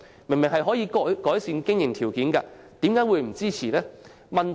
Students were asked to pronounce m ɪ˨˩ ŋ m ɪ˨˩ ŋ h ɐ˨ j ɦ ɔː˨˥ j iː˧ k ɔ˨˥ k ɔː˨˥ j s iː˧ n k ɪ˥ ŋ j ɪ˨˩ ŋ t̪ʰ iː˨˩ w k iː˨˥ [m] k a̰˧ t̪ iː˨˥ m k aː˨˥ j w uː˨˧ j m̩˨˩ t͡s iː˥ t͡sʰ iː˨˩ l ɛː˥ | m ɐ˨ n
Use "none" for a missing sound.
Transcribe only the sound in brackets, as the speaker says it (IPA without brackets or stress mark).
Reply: n